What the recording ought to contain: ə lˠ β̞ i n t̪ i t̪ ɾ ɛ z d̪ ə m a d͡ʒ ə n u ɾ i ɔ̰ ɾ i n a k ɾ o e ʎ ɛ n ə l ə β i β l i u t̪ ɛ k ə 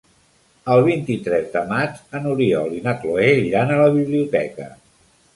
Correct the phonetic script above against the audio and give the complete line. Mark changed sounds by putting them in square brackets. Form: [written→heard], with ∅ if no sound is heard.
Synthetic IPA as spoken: ə lˠ β̞ i n t̪ i t̪ ɾ ɛ z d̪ ə m a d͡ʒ ə n u ɾ i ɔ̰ [ɾ→l] i n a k [ɾ→l] o e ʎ [ɛ→a] n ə l ə β i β l i u t̪ ɛ k ə